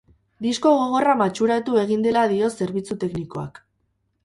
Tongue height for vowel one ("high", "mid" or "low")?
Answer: high